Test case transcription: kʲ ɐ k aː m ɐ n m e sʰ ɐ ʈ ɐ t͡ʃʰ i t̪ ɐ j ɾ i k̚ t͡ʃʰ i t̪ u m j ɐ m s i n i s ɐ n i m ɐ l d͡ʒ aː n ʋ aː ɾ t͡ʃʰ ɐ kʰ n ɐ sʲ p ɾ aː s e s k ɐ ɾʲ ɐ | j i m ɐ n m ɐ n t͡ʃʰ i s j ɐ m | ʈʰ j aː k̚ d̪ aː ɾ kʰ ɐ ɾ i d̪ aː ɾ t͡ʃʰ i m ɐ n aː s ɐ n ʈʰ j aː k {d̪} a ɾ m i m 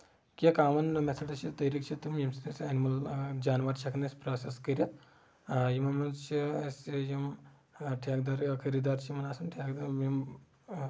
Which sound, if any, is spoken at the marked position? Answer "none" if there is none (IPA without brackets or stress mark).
d̪